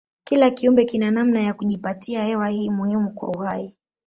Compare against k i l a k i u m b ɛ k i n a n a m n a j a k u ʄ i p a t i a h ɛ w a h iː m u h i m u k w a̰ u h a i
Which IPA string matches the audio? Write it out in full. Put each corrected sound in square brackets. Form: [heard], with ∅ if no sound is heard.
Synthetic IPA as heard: k i l a k i u m b ɛ k i n a n a m n a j a k u ʄ i p a t i a h ɛ w a h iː m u h i m u k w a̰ u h a i